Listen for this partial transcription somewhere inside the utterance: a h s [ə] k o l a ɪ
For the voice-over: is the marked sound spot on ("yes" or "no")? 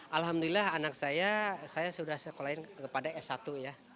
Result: yes